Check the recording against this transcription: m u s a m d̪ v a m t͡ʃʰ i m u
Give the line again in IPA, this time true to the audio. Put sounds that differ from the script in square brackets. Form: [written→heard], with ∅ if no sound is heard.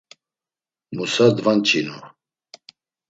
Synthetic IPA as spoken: m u s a [m→∅] d̪ v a [m→n] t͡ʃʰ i [m→n] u

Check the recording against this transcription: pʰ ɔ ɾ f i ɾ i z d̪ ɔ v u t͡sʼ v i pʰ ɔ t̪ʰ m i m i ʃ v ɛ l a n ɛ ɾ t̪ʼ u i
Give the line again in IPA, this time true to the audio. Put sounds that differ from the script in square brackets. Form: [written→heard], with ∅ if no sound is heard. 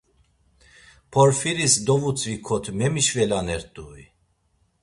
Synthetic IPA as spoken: pʰ ɔ ɾ f i ɾ i [z→s] d̪ ɔ v u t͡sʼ v i [pʰ→kʰ] ɔ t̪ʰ m [i→ɛ] m i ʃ v ɛ l a n ɛ ɾ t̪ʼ u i

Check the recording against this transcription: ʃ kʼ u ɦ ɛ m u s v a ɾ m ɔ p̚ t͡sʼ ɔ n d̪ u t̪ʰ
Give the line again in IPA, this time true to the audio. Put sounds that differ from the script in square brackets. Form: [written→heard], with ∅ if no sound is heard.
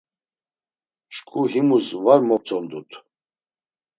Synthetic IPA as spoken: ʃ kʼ u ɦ [ɛ→i] m u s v a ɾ m ɔ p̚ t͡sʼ ɔ n d̪ u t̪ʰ

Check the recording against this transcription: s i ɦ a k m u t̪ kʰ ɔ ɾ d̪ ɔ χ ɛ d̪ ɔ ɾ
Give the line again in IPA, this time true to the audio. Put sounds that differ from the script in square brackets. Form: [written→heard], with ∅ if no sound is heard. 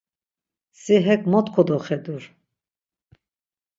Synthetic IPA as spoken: s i ɦ [a→ɛ] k m [u→ɔ] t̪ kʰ ɔ [ɾ→∅] d̪ ɔ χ ɛ d̪ [ɔ→u] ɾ

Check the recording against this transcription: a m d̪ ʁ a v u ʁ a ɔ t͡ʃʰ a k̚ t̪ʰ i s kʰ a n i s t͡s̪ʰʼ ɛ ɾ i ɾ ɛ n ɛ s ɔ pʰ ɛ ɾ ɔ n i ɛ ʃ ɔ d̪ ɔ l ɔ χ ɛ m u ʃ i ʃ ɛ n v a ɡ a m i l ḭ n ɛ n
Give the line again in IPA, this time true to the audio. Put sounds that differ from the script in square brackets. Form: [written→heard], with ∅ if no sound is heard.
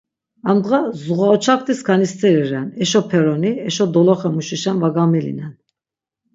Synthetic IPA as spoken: a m d̪ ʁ a [v→z] u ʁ a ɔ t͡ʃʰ a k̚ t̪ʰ i s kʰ a n i s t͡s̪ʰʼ ɛ ɾ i ɾ ɛ n ɛ [s→ʃ] ɔ pʰ ɛ ɾ ɔ n i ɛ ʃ ɔ d̪ ɔ l ɔ χ ɛ m u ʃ i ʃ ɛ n v a ɡ a m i l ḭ n ɛ n

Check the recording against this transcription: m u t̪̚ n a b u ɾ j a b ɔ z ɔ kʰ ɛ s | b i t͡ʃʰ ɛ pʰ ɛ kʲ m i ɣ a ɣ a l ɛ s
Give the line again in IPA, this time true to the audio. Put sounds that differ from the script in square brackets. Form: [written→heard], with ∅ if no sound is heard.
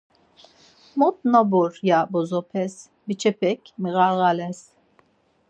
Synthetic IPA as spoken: m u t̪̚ n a b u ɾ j a b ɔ z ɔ [kʰ→pʰ] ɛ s | b i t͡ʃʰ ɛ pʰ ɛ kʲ m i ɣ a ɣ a l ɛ s

